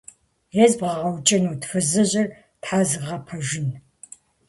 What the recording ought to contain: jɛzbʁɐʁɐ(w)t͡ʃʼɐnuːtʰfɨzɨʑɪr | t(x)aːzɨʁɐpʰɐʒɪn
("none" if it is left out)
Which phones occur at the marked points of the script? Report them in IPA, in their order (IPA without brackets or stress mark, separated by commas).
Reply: w, ħ